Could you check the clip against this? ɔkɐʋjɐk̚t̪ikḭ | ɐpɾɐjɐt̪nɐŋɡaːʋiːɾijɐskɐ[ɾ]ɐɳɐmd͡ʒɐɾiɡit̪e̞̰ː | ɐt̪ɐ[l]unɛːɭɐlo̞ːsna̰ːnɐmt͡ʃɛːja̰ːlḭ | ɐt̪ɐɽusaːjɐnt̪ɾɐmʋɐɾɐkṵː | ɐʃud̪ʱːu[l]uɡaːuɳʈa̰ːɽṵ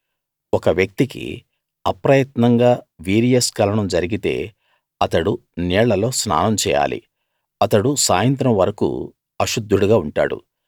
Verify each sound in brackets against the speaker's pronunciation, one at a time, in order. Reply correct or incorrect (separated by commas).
incorrect, incorrect, incorrect